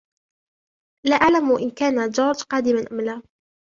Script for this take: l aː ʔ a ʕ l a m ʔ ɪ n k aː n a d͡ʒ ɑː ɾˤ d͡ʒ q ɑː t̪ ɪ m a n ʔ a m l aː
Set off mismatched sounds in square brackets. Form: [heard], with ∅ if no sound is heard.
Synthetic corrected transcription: l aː ʔ a ʕ l a m ʔ ɪ n k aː n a d͡ʒ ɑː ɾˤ d͡ʒ q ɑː [d̪] ɪ m a n ʔ a m l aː